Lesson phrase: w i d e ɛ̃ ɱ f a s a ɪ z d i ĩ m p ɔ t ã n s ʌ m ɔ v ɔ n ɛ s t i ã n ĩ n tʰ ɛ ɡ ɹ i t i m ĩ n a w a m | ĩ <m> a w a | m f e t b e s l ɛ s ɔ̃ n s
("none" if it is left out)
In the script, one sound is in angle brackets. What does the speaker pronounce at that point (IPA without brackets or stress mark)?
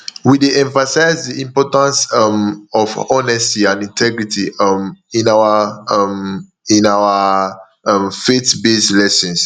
n